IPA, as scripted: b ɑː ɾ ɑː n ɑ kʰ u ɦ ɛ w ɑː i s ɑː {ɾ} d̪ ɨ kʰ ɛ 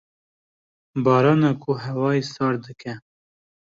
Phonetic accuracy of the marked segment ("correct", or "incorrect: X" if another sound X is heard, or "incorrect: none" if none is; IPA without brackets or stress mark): correct